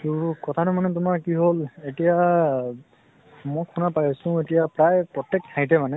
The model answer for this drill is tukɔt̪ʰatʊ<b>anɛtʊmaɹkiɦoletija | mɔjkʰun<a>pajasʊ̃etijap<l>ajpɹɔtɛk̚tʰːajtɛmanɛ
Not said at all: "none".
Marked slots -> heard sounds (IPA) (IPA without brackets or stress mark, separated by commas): m, a, ɹ